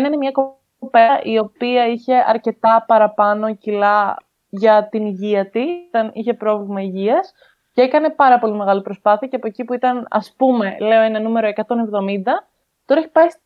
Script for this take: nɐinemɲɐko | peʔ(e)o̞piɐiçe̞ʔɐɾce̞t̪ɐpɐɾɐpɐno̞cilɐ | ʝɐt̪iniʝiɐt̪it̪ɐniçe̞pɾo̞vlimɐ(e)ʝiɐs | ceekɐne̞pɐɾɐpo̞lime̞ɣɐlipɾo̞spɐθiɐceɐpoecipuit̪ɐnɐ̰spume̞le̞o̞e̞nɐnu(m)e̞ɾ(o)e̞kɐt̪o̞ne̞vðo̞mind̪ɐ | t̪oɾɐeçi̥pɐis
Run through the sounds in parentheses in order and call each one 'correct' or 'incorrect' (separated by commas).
incorrect, incorrect, correct, correct